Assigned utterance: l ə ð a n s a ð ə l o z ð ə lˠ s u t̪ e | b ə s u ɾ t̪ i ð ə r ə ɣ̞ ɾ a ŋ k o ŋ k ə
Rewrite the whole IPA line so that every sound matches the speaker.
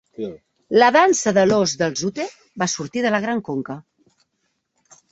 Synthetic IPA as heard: l ə ð a n s ə ð ə l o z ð ə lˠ z u t̪ e | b a s u ɾ t̪ i ð ə l ə ɣ̞ ɾ a ŋ k o ŋ k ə